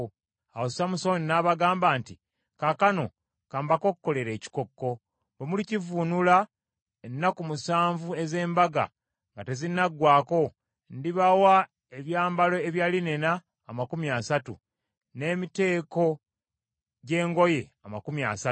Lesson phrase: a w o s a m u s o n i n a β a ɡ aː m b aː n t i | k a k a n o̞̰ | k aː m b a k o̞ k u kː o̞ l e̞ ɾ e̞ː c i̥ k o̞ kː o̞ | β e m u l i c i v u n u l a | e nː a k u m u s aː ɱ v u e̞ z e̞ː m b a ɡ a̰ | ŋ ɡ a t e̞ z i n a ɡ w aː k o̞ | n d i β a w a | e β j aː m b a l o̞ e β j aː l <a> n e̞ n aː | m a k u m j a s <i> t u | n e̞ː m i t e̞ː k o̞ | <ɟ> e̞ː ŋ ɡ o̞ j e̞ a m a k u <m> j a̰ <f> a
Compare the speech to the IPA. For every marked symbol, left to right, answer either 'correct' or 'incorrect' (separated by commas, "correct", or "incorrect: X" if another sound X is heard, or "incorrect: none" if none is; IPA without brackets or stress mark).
incorrect: i, incorrect: a, correct, correct, incorrect: s